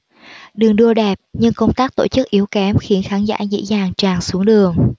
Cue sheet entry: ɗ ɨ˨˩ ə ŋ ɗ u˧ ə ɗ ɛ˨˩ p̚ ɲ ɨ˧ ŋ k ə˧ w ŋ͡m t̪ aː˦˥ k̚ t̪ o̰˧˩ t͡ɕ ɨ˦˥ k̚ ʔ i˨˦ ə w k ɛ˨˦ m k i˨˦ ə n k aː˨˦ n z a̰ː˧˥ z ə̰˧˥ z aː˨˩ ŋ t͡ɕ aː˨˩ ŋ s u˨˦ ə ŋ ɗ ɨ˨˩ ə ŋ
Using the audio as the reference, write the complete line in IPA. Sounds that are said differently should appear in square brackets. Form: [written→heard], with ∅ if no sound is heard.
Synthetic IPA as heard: ɗ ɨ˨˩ ə ŋ ɗ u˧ ə ɗ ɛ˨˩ p̚ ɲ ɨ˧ ŋ k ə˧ w ŋ͡m t̪ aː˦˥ k̚ t̪ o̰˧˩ t͡ɕ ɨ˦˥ k̚ ʔ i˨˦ ə w k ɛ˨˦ m [k→x] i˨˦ ə n [k→x] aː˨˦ n z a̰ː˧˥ z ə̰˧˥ z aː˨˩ ŋ t͡ɕ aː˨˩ ŋ s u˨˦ ə ŋ ɗ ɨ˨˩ ə ŋ